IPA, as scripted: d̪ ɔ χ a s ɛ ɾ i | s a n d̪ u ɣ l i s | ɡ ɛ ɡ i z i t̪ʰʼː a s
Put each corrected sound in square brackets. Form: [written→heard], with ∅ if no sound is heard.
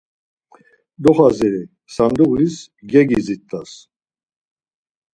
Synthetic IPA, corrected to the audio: d̪ ɔ χ a [s→z] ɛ ɾ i | s a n d̪ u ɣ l i s | ɡ ɛ ɡ i z i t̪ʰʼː a s